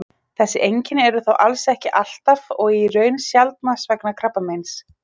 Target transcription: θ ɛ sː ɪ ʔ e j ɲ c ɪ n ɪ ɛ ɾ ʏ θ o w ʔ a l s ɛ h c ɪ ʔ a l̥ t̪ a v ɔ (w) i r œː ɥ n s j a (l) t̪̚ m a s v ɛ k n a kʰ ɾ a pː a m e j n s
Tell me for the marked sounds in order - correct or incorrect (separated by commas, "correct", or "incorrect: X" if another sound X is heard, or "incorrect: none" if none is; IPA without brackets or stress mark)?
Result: incorrect: ɣ, correct